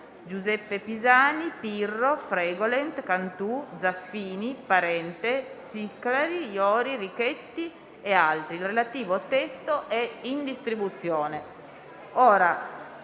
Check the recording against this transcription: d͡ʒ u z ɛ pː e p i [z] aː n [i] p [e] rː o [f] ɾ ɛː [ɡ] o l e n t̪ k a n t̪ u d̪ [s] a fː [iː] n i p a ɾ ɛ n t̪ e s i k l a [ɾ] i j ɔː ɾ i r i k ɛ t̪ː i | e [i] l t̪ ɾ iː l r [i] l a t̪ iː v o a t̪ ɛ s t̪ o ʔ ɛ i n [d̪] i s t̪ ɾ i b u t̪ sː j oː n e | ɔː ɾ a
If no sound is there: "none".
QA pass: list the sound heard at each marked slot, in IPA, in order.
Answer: z, i, i, f, ɡ, z, iː, ɾ, a, e, d̪

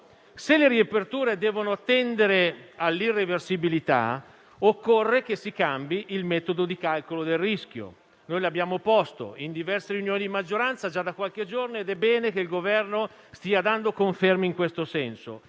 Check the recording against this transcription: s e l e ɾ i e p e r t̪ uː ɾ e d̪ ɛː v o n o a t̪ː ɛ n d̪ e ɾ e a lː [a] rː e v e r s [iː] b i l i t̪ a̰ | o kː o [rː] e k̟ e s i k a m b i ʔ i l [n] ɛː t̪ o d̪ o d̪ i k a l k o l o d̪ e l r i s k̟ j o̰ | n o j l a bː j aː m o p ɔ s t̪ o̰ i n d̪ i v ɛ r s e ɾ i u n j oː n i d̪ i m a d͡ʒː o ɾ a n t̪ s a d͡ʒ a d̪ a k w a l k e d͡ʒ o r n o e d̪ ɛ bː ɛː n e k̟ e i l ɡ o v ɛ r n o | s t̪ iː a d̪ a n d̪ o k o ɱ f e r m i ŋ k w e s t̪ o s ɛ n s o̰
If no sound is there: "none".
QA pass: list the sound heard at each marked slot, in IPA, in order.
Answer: i, i, rː, m

